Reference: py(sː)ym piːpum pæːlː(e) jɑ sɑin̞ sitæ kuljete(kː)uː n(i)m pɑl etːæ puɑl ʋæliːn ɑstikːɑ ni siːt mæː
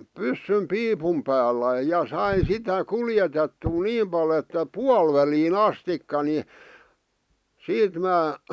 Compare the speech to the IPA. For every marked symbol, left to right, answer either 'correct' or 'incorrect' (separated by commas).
correct, incorrect, incorrect, incorrect